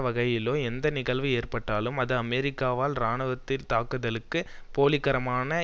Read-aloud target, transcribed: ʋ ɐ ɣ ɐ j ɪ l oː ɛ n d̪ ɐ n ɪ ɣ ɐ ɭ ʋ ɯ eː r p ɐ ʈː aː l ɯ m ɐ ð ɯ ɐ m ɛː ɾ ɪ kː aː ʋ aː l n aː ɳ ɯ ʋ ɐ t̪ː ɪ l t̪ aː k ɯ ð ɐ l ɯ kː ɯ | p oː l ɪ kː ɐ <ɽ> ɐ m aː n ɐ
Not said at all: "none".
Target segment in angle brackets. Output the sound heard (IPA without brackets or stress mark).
ɾ